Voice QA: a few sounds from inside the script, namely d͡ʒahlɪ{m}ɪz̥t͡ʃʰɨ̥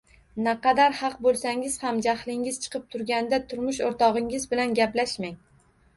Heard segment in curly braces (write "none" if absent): ŋ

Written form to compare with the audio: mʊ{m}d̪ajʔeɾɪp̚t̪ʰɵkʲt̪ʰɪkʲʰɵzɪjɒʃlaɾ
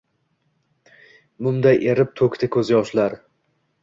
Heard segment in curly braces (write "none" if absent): m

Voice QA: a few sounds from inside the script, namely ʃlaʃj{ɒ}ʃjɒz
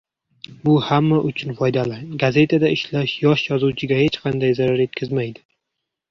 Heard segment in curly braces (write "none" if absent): ɒ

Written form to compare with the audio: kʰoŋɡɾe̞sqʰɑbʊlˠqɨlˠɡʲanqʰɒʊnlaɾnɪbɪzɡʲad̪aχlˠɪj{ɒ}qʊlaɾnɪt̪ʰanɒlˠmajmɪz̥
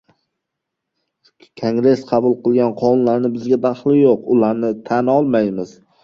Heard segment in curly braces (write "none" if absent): o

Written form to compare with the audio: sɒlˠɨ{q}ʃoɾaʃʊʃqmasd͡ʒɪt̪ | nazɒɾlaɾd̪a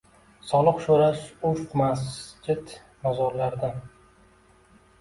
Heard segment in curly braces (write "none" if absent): q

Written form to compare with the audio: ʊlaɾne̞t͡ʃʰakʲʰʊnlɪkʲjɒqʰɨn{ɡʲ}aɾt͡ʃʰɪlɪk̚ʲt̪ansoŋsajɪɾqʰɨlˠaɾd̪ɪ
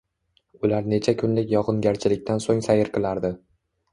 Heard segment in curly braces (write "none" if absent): ɡʲ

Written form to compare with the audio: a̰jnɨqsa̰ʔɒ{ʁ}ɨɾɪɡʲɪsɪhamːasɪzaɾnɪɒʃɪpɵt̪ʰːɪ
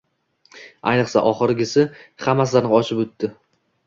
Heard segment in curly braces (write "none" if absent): χ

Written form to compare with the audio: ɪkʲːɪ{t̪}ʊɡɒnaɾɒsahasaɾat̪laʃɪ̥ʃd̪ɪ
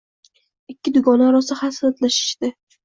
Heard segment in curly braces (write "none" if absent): d̪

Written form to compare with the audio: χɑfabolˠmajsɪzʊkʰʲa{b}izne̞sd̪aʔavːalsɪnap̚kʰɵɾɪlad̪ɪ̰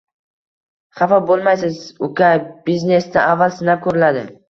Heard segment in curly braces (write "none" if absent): b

